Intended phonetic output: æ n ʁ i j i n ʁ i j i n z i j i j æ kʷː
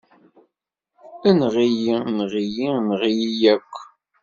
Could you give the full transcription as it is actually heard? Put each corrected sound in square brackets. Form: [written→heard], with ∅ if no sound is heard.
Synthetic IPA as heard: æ n ʁ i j i n ʁ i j i n [z→ʁ] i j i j æ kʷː